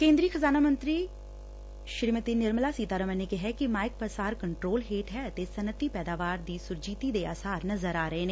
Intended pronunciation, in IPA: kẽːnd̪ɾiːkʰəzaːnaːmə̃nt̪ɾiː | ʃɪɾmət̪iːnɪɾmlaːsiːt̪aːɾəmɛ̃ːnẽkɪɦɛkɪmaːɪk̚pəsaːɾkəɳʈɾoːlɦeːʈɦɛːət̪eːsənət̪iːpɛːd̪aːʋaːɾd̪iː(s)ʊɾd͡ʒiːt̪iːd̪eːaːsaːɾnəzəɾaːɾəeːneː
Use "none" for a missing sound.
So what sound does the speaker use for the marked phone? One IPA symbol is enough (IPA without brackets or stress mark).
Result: s